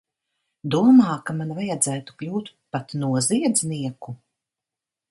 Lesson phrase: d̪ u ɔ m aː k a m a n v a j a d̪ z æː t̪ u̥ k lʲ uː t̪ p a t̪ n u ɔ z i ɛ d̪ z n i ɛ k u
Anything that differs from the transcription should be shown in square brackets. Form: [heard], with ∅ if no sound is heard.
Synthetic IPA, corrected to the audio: d̪ u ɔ m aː k a m a n v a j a d̪ z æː t̪ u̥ k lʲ uː t̪ p a t̪ n u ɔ z i ɛ d̪ z n i ɛ k u